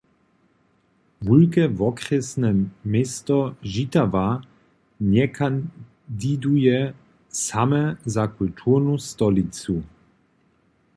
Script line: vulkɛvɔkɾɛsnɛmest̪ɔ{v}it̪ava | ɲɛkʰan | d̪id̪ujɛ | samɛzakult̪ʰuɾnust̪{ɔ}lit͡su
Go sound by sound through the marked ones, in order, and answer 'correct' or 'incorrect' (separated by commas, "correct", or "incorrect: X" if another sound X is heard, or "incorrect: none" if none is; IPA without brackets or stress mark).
incorrect: ʒ, correct